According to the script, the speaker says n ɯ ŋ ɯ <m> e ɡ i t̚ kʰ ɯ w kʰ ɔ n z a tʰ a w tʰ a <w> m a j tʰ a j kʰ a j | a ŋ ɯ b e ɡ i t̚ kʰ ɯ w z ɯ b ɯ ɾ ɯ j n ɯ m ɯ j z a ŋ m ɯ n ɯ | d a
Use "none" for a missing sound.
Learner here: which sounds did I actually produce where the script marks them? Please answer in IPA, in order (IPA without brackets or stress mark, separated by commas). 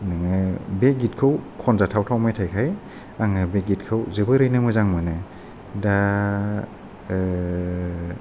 b, w